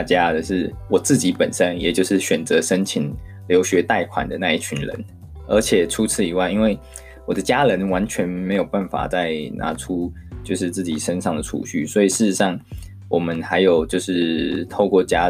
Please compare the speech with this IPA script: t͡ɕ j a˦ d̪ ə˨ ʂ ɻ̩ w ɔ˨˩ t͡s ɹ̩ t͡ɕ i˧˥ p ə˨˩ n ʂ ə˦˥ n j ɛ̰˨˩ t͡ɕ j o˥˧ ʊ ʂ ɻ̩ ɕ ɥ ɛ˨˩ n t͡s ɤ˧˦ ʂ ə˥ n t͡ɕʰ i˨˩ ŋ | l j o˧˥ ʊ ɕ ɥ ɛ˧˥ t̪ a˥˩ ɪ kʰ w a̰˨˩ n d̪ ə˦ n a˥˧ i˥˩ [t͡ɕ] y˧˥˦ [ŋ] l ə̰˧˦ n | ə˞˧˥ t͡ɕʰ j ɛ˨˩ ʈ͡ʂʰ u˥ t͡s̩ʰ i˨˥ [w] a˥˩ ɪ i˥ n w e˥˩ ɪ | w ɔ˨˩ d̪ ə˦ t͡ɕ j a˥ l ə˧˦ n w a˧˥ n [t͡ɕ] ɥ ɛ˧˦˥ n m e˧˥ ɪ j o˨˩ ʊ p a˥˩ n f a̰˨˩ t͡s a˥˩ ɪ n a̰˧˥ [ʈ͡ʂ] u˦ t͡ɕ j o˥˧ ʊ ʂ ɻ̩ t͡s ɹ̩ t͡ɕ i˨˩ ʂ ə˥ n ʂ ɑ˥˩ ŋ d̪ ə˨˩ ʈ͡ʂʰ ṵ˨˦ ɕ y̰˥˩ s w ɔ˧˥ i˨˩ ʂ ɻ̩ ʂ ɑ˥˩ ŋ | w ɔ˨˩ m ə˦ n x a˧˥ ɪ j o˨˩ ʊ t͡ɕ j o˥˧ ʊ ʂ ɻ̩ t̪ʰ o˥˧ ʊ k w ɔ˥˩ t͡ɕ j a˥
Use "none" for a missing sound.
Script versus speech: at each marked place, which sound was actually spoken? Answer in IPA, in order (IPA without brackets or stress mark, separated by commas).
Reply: t͡ɕʰ, n, w, t͡ɕʰ, ʈ͡ʂʰ